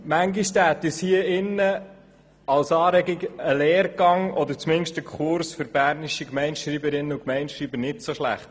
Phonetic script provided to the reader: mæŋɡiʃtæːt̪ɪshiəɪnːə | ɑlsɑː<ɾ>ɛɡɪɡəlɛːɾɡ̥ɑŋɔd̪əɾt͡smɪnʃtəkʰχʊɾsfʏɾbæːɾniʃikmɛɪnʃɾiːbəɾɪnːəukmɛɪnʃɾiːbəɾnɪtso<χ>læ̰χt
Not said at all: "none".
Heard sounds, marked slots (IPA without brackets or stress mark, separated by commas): ɾ, ʃ